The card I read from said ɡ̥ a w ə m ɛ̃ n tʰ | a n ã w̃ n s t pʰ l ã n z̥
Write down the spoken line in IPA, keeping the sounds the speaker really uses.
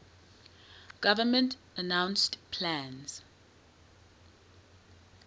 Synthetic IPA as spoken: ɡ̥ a v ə m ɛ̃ n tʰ | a n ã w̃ n s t pʰ l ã n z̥